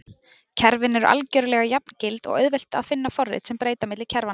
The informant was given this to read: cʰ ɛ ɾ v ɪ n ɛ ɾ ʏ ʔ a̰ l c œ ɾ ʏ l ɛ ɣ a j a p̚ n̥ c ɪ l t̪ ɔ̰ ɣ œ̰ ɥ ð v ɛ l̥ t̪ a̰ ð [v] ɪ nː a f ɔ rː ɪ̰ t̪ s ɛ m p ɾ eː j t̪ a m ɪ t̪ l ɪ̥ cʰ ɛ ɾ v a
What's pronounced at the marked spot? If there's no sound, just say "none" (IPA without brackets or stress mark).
f